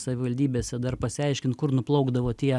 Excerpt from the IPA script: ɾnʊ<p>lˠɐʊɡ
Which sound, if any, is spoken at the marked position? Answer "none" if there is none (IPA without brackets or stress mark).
p